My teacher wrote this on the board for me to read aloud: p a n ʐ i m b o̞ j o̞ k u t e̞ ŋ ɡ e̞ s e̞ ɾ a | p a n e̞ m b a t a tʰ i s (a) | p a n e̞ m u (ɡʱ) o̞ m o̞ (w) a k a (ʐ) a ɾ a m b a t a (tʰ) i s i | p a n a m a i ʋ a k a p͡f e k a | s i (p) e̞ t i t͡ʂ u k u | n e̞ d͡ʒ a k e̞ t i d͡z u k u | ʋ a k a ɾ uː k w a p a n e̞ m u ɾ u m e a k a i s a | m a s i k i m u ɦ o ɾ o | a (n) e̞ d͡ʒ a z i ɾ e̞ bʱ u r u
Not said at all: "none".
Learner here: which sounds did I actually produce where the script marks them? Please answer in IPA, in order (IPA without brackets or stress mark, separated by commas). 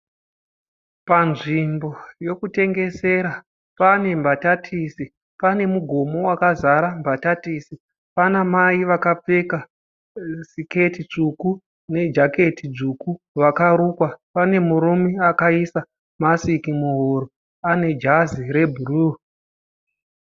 i, ɡʱ, w, z, t, k, n